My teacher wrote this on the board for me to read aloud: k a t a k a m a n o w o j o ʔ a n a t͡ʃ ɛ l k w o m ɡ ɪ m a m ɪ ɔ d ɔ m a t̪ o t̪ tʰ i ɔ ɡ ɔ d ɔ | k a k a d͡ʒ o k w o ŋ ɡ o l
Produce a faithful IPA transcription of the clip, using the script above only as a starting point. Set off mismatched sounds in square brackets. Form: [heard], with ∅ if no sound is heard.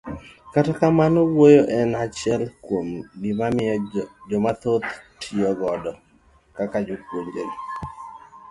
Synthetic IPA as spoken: k a t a k a m a n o w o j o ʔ [ɛ] n a t͡ʃ ɛ l k w o m ɡ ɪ m a m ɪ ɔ [d͡ʒ] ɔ m a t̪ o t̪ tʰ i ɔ ɡ ɔ d ɔ | k a k a d͡ʒ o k w o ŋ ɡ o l